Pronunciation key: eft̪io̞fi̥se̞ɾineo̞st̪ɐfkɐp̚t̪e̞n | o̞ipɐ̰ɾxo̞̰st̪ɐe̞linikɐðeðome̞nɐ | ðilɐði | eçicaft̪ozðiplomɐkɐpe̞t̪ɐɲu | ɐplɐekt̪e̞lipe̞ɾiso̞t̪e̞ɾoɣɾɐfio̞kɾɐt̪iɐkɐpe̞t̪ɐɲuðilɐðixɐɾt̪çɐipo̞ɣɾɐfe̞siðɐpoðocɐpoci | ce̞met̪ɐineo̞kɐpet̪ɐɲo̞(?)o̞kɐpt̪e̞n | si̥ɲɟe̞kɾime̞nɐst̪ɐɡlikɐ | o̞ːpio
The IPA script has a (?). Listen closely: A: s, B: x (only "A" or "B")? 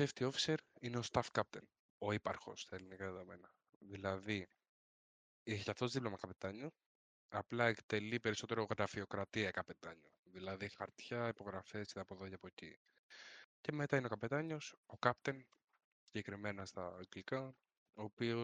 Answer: A